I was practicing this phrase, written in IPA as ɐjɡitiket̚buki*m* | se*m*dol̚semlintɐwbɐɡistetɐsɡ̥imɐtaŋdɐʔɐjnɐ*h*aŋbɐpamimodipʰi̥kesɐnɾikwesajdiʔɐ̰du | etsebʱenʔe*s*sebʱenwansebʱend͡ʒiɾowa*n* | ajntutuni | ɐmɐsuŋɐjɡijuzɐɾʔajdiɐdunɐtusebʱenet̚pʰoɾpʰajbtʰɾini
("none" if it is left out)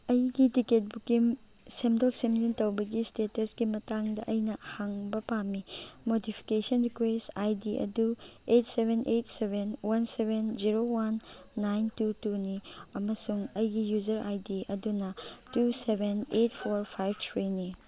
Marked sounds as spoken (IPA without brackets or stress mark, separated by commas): m, m, h, t, nː